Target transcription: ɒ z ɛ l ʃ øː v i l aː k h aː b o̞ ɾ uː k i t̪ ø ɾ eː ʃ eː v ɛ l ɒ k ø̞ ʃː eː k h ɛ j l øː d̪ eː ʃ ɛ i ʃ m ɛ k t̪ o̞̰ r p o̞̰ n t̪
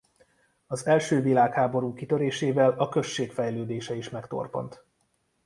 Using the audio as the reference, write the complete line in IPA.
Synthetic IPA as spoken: ɒ z ɛ l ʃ øː v i l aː k h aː b o̞ ɾ uː k i t̪ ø ɾ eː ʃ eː v ɛ l ɒ k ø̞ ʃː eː k f ɛ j l øː d̪ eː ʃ ɛ i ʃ m ɛ k t̪ o̞̰ r p o̞̰ n t̪